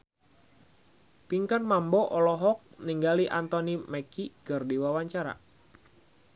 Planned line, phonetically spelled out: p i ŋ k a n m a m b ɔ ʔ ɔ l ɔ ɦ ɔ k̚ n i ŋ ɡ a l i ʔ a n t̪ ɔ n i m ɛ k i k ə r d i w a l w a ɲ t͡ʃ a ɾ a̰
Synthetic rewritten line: p i ŋ k a n m a m b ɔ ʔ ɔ l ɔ ɦ ɔ k̚ n i ŋ ɡ a l i ʔ a n t̪ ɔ n i m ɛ k i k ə r d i w a w a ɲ t͡ʃ a ɾ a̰